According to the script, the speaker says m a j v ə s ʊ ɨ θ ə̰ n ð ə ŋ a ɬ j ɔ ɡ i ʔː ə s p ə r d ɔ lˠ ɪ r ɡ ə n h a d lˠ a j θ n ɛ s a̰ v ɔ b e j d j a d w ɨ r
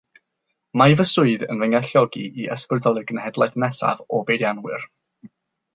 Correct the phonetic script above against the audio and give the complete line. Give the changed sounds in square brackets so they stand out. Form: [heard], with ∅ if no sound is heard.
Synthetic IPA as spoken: m a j v ə s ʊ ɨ [ð] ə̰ n [v] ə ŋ a ɬ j ɔ ɡ i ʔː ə s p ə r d ɔ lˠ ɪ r ɡ ə n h [ɛ] d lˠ a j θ n ɛ s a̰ v ɔ b e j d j a [n] w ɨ r

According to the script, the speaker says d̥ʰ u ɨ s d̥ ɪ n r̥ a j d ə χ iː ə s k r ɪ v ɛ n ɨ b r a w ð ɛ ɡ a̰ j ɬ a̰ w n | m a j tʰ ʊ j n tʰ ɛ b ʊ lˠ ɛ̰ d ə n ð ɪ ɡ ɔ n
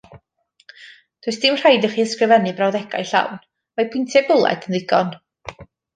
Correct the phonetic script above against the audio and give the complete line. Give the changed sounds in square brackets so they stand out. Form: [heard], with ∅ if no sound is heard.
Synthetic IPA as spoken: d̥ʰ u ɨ s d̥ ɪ [m] r̥ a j d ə χ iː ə s k r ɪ v ɛ n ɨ b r a w ð ɛ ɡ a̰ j ɬ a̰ w n | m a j [pʰ] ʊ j n tʰ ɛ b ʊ lˠ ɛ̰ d ə n ð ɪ ɡ ɔ n

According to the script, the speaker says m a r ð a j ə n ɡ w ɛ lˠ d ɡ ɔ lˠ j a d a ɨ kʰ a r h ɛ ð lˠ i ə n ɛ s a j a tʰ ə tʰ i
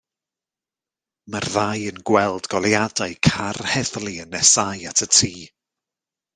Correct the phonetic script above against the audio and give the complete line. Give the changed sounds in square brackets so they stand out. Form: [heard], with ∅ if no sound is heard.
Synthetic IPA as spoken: m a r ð a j ə n ɡ w ɛ lˠ d ɡ ɔ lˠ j a d a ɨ kʰ a r h ɛ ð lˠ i ə n ɛ s a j a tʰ ə tʰ [iː]

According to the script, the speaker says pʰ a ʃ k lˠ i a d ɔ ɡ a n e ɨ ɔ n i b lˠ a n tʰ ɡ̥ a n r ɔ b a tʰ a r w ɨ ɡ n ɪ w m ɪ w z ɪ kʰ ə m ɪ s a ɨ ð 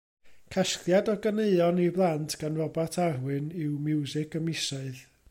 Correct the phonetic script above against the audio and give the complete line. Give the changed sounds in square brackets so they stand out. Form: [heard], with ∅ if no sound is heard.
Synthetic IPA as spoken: [kʰ] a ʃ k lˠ [j] a d ɔ ɡ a n e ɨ ɔ n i b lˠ a n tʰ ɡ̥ a n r ɔ b a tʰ a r w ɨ [∅] n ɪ w m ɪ w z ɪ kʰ ə m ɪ s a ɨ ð

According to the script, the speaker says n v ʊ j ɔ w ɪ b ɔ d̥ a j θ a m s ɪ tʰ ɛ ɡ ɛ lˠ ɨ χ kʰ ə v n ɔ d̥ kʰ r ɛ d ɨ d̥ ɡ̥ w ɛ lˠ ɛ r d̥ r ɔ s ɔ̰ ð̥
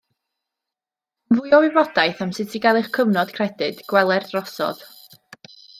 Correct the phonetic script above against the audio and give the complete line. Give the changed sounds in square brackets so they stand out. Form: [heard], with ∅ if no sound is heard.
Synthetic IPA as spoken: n v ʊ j ɔ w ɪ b ɔ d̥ a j θ a m s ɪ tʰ [i] ɡ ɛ lˠ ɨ χ kʰ ə v n ɔ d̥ kʰ r ɛ d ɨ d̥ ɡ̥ w ɛ lˠ ɛ r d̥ r ɔ s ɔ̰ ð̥

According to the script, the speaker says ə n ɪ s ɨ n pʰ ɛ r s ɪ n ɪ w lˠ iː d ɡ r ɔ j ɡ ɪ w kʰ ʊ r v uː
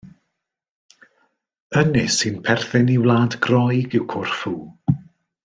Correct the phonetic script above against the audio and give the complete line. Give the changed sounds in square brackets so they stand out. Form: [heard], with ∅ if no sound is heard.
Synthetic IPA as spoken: ə n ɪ s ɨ n pʰ ɛ r [θ] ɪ n [i] w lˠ [aː] d ɡ r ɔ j ɡ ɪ w kʰ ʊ r [f] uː

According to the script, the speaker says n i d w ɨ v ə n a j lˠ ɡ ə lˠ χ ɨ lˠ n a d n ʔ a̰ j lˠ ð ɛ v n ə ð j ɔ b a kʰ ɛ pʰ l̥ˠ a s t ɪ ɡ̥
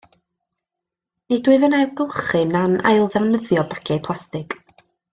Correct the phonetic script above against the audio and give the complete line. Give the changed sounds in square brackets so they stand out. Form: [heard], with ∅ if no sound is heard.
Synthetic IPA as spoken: n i d w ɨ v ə n a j lˠ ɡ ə lˠ χ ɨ [∅] n a [∅] n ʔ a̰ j lˠ ð ɛ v n ə ð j ɔ b a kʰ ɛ pʰ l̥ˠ a s t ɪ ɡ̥

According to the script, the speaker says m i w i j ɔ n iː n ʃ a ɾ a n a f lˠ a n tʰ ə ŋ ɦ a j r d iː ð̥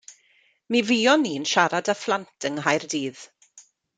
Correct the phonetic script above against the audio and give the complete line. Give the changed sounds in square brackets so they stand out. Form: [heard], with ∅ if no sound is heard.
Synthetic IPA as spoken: m i [v] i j ɔ n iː n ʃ a ɾ a [d] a f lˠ a n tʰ ə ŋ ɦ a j r d iː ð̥

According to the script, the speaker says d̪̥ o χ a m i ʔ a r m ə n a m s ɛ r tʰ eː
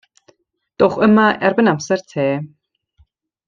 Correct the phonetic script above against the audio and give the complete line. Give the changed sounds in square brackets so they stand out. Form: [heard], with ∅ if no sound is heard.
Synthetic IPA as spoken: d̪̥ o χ [ə] m [a] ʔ [ɛ] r [b] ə n a m s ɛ r tʰ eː

